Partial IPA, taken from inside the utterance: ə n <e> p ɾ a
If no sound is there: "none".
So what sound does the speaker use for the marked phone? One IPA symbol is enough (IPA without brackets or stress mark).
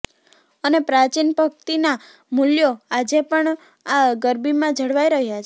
e